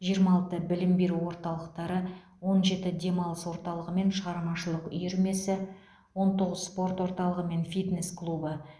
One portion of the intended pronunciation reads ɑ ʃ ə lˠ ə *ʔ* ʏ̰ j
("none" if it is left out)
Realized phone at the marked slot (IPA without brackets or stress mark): q